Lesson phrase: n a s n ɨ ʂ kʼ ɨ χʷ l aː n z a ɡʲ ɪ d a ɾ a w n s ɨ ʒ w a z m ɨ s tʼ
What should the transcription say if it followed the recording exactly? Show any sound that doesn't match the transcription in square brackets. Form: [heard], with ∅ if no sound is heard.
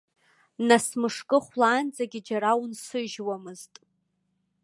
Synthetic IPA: n a s [m] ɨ ʂ kʼ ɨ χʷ l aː n [d͡z] a ɡʲ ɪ [d͡ʒ] a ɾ a w n s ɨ ʒ w a [∅] m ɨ [z] tʼ